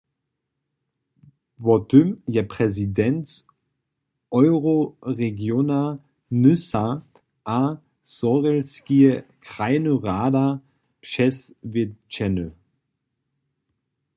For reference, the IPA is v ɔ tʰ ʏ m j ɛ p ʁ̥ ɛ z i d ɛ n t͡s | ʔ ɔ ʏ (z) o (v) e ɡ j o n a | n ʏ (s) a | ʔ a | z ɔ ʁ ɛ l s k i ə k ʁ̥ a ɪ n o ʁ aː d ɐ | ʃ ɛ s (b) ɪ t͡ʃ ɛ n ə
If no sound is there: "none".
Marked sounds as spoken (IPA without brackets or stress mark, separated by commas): ʁ, ʁ, s, v